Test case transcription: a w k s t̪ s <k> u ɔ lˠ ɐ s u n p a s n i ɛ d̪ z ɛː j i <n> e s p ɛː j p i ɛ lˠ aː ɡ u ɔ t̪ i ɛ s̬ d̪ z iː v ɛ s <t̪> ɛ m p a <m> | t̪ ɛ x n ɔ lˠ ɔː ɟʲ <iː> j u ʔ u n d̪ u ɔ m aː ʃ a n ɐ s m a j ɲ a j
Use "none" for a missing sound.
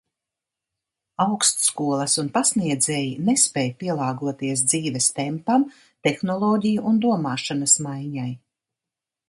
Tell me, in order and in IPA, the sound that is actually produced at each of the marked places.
k, n, t̪, m, i

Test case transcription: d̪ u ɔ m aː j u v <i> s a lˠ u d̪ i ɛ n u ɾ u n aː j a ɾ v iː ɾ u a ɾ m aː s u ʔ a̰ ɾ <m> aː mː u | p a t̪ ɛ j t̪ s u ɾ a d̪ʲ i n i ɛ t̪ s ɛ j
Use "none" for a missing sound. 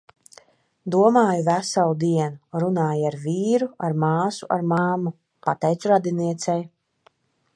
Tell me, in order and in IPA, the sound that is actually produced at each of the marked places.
æ, m

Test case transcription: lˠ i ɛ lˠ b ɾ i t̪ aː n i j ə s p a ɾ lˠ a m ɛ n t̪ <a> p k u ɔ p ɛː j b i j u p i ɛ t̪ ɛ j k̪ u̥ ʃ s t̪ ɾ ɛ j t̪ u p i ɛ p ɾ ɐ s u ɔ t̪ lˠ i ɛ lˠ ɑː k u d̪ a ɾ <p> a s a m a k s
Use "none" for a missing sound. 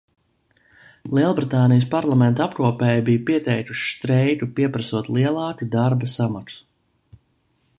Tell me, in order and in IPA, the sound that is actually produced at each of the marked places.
a, b

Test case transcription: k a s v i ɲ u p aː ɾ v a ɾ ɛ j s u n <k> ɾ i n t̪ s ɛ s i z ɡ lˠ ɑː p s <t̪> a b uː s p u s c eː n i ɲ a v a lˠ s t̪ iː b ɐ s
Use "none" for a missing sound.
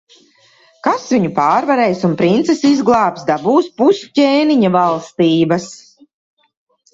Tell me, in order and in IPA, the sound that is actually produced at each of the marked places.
p, d̪

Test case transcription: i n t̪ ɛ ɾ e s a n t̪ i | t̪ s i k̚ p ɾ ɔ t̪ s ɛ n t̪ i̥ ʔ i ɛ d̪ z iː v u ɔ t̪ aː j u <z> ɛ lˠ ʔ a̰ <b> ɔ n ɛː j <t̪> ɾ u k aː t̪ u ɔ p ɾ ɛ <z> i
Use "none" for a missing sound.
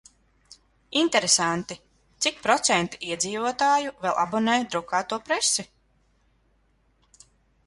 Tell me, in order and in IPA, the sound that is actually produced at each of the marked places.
v, b, d̪, s

